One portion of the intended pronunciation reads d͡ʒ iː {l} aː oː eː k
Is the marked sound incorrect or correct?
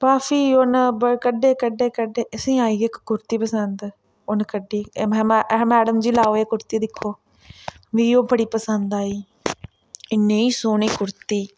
correct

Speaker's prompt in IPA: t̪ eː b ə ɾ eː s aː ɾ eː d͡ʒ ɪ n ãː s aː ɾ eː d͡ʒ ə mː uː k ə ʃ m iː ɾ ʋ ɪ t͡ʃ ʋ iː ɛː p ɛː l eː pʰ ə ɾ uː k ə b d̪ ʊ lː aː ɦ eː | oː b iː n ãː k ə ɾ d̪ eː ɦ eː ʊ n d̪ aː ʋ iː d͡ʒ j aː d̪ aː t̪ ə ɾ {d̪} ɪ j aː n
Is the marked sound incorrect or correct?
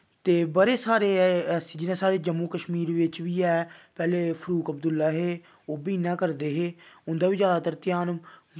incorrect: t̪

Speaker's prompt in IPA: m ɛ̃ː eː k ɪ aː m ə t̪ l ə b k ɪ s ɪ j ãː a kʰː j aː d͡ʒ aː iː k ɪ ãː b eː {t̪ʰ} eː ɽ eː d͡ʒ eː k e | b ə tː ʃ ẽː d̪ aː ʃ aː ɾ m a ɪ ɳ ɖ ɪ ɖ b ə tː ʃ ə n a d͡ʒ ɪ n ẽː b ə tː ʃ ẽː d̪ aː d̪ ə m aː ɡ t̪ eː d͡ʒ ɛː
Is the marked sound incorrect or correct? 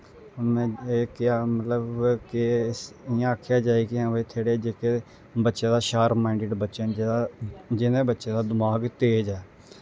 correct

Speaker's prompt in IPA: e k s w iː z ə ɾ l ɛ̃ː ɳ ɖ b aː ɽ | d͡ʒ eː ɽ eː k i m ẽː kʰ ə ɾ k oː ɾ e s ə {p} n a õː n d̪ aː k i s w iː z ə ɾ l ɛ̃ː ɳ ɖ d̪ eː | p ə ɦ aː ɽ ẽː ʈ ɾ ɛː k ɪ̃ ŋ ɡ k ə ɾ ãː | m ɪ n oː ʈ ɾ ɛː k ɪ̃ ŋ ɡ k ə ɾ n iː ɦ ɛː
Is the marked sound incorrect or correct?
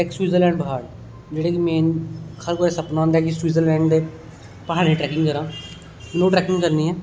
correct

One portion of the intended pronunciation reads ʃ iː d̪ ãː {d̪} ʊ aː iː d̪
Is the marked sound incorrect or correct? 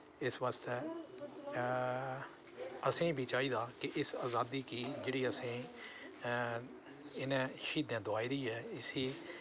correct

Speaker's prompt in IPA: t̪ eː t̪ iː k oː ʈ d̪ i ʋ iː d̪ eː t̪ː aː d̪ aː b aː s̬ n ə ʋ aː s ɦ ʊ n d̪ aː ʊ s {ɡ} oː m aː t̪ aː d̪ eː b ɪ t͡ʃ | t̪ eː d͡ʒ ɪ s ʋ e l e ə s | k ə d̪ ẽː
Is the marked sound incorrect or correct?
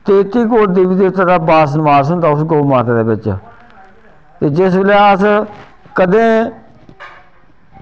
correct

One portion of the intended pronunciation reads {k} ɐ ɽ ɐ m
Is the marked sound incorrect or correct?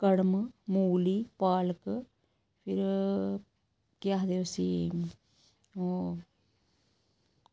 correct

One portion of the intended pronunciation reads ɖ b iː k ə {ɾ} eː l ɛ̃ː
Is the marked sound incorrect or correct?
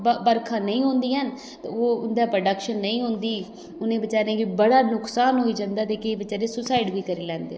correct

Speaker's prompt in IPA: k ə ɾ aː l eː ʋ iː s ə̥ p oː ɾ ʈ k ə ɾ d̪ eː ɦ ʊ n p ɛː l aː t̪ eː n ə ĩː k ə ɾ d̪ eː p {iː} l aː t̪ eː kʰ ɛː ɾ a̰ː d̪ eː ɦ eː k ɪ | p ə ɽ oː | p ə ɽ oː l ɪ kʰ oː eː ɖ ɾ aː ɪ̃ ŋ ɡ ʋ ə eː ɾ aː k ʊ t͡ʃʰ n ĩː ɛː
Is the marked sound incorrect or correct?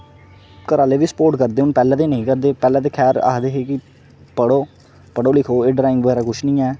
incorrect: ɛː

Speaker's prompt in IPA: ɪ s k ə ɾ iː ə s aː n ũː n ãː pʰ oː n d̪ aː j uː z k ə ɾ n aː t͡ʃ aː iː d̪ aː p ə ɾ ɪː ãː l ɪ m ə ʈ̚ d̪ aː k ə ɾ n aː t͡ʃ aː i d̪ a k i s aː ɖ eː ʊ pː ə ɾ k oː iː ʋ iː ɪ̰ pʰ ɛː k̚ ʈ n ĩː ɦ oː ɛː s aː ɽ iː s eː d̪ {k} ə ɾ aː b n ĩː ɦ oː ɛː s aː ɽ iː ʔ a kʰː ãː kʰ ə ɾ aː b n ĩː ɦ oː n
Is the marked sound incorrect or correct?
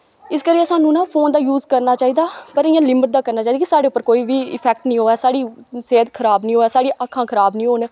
incorrect: kʰ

